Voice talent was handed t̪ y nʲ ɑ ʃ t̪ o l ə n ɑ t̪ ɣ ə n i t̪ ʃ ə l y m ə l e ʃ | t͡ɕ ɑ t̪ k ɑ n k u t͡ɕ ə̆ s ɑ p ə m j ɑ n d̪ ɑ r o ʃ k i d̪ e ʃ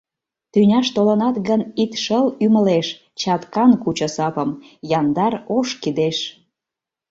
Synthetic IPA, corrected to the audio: t̪ y nʲ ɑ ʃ t̪ o l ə n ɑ t̪ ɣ ə n i t̪ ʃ ə l y m ə l e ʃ | t͡ɕ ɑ t̪ k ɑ n k u t͡ɕ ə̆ s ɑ p ə m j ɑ n d̪ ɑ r o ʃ k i d̪ e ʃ